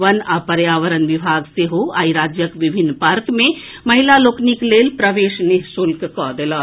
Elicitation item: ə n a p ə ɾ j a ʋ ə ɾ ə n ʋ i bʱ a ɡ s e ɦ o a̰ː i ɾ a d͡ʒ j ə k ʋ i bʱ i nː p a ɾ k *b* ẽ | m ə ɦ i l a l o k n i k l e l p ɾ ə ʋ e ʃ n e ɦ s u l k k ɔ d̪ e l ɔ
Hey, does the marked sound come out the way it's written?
no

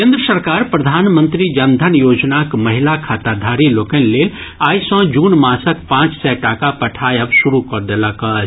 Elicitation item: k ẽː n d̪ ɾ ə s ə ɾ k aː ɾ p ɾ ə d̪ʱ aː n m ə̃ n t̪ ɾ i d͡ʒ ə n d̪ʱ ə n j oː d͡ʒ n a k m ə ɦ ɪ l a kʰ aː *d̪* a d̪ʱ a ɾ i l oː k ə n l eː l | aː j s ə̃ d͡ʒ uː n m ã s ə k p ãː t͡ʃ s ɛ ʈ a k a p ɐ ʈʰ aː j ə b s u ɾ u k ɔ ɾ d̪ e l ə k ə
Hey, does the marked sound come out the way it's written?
no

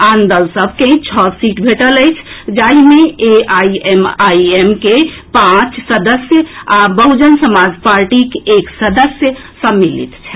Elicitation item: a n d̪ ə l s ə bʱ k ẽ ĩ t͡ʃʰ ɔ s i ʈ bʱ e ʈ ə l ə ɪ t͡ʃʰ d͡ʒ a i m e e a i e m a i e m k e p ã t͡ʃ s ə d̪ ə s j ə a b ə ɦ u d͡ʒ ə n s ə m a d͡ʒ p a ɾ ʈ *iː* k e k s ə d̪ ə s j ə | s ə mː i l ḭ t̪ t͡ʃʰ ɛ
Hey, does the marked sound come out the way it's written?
no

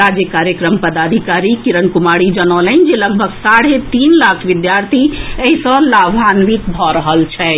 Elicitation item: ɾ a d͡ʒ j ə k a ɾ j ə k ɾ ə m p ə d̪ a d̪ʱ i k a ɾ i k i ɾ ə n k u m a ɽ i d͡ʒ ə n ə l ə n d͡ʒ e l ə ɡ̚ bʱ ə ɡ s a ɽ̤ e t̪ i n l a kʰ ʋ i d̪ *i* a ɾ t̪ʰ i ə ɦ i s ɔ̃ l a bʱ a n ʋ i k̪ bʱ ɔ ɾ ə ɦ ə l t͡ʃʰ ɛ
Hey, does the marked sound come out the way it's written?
no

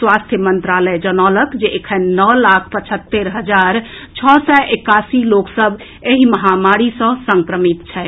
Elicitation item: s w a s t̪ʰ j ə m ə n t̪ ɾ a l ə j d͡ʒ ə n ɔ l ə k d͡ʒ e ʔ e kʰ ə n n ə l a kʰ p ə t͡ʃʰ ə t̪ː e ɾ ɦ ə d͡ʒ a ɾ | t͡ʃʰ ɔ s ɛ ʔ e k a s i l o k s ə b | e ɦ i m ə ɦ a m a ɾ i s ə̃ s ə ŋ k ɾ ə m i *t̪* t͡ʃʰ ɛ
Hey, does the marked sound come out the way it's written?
yes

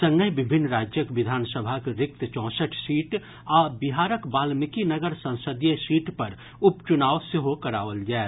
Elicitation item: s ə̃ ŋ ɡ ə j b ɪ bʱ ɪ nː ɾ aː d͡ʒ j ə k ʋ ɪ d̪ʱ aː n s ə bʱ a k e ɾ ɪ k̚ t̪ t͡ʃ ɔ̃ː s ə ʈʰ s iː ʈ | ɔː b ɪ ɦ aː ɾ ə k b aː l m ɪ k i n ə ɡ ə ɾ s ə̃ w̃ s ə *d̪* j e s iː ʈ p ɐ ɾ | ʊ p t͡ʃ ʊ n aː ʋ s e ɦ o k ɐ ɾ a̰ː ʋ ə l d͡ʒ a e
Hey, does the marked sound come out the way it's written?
yes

